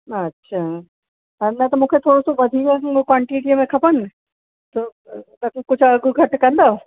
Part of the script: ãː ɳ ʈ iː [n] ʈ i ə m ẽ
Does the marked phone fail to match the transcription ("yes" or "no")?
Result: yes